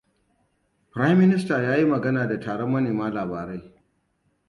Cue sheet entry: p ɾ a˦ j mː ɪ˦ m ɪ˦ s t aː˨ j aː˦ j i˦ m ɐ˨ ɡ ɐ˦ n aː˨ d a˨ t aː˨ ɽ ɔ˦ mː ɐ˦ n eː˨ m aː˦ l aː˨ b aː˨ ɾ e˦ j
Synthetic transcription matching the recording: p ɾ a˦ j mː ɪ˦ n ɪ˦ s t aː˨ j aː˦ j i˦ m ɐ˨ ɡ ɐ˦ n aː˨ d a˨ t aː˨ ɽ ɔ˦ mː ɐ˦ n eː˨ m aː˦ l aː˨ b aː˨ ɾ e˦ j